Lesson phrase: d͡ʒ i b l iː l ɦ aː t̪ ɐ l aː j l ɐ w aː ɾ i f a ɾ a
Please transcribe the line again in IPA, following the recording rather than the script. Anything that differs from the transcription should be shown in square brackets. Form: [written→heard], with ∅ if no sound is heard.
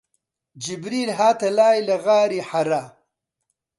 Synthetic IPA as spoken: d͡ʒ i b [l→ɾ] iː l ɦ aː t̪ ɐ l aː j l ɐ [w→ɣ] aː ɾ i [f→ħ] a ɾ a